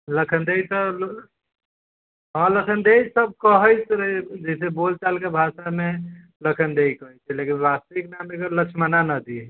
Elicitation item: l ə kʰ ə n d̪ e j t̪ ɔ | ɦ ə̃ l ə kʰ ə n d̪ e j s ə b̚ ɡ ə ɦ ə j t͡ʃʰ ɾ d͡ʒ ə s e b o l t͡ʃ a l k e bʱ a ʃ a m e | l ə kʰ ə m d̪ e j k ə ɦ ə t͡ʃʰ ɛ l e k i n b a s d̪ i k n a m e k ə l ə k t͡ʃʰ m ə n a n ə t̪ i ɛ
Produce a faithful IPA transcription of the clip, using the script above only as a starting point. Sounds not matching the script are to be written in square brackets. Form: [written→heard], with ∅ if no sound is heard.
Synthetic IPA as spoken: l ə kʰ ə n d̪ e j t̪ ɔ | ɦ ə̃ l ə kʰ ə n d̪ e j s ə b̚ [ɡ→k] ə ɦ ə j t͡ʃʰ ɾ d͡ʒ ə s e b o l t͡ʃ a l k e bʱ a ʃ a m e | l ə kʰ ə [m→n] d̪ e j k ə ɦ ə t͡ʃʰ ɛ l e k i n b a s [d̪→t̪] i k n a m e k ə l ə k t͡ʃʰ m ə n a n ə [t̪→d̪] i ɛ

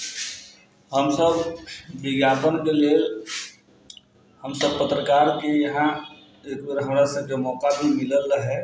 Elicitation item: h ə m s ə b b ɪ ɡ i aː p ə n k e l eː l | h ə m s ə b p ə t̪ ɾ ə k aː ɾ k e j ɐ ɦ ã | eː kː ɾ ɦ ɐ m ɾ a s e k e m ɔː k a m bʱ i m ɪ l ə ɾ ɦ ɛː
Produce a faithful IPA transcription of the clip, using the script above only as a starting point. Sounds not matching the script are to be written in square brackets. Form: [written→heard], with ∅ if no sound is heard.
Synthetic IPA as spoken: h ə m s ə b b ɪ ɡ [i→j] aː p ə n k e l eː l | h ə m s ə b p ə t̪ ɾ ə k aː ɾ k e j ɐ ɦ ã | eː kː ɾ ɦ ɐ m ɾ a s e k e m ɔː k a [m→∅] bʱ i m ɪ l ə [ɾ→l] ɦ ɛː

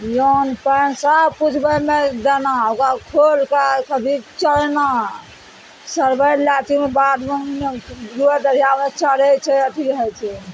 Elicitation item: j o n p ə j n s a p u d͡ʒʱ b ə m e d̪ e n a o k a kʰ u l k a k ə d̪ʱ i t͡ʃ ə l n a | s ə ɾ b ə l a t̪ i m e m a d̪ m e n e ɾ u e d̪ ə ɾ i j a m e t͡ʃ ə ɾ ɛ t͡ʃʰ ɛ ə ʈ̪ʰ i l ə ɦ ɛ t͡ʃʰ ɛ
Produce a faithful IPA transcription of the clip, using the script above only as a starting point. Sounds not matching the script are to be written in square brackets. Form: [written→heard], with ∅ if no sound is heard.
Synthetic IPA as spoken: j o n p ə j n s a p u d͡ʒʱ b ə m e d̪ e n a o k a kʰ [u→o] l k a k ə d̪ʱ i t͡ʃ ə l n a | s ə ɾ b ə l a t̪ i m e [m→b] a d̪ m e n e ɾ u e d̪ ə ɾ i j a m e t͡ʃ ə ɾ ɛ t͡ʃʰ ɛ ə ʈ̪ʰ i [l→ɾ] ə ɦ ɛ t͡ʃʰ ɛ

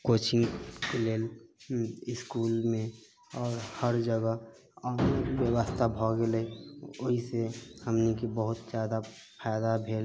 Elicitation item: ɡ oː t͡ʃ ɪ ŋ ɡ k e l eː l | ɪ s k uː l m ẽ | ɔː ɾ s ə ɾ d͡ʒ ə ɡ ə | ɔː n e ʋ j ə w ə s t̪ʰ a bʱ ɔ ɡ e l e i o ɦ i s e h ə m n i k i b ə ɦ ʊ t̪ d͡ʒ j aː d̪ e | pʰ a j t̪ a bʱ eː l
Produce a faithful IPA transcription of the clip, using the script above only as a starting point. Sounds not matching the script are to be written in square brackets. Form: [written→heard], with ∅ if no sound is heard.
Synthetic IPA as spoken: [ɡ→k] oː t͡ʃ ɪ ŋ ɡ k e l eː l | ɪ s k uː l m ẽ | ɔː ɾ [s→h] ə ɾ d͡ʒ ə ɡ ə | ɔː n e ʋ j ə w ə s t̪ʰ a bʱ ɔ ɡ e l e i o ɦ i s e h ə m n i k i b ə ɦ ʊ t̪ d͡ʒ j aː d̪ [e→a] | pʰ a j [t̪→d̪] a bʱ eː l

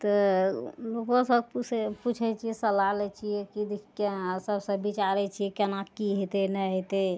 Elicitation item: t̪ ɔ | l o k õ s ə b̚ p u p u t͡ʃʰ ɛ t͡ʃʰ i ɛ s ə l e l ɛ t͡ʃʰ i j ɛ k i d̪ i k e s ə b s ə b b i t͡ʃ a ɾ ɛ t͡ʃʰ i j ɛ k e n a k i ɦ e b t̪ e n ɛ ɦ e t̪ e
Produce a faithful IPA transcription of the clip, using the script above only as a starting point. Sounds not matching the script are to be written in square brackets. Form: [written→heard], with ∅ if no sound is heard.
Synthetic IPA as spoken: t̪ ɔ | l o k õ s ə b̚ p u p u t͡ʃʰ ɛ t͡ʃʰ i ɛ s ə l [e→a] l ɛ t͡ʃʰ i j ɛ k i d̪ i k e s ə b s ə b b i t͡ʃ a ɾ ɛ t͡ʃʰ i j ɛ k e n a k i ɦ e [b→∅] t̪ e n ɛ ɦ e t̪ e

